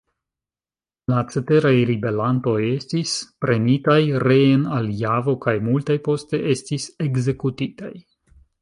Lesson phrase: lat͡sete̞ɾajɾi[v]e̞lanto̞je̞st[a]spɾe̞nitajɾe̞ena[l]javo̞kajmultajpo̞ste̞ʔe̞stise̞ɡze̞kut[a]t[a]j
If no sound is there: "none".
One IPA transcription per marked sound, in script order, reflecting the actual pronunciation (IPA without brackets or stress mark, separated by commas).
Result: b, i, l, i, a